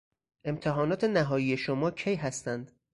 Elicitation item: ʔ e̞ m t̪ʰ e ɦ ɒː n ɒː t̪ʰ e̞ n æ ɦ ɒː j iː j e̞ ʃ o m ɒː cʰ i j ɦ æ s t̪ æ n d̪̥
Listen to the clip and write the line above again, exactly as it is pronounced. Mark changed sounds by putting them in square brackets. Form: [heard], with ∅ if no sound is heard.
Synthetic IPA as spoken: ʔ e̞ m t̪ʰ e ɦ ɒː n ɒː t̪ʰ e̞ n æ ɦ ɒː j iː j e̞ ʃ o m ɒː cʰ [e] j ɦ æ s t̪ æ n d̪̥